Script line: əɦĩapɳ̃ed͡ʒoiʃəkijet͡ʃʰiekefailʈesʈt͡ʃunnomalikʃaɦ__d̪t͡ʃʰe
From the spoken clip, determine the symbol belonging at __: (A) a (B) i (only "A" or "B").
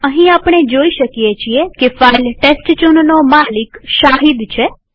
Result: B